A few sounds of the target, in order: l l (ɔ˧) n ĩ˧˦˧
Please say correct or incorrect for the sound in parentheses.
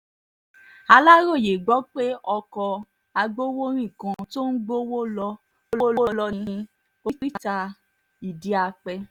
correct